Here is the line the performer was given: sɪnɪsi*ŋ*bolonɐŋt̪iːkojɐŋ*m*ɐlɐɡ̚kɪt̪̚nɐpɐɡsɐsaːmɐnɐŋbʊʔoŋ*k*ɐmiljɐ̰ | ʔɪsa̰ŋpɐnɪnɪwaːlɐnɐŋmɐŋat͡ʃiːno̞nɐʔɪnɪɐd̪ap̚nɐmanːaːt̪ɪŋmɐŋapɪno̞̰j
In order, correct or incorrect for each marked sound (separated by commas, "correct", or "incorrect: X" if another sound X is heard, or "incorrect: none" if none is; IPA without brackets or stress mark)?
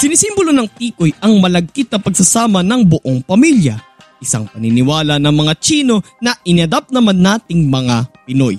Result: incorrect: m, correct, incorrect: p